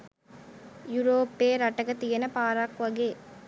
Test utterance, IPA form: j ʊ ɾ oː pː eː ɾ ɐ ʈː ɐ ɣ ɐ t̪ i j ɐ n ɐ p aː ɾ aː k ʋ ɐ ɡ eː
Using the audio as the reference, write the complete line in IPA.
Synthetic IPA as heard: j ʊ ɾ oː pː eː ɾ ɐ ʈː ɐ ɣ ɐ t̪ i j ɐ n ɐ p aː ɾ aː k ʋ ɐ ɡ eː